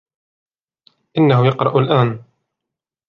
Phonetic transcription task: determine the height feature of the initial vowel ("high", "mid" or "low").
high